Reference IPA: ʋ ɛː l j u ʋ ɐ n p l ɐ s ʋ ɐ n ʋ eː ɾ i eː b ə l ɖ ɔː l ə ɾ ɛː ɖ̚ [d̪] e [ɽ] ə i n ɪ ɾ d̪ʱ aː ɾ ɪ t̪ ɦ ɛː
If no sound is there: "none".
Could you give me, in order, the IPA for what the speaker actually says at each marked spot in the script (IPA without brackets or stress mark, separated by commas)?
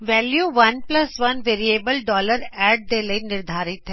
d̪, l